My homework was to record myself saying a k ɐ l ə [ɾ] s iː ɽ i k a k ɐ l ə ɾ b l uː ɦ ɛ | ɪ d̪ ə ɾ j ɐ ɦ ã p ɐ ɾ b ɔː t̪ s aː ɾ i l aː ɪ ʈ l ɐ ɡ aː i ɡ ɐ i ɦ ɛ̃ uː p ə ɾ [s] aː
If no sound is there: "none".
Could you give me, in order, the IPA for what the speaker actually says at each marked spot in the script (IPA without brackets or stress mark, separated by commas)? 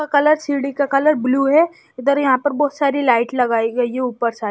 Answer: ɾ, s